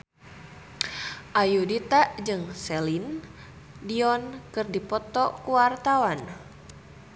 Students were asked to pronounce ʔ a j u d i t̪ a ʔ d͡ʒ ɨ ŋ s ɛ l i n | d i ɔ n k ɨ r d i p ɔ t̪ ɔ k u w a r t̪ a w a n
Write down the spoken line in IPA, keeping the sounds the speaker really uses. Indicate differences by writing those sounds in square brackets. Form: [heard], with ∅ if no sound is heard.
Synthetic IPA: ʔ a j u d i t̪ a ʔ d͡ʒ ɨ ŋ s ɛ l i n | d i ɔ n k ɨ r d i p ɔ t̪ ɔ k u w a r t̪ a w a n